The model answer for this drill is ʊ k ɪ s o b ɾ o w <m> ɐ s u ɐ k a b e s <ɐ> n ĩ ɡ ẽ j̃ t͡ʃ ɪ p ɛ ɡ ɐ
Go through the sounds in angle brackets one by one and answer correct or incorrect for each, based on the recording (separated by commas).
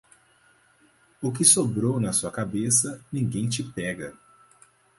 incorrect, correct